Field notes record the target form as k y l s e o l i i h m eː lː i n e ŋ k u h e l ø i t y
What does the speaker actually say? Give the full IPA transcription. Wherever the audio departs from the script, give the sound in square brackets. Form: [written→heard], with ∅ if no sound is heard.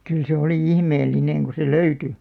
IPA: k y l s e o l i i h m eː lː i n e ŋ k u [h→s] e l ø [i→y] t y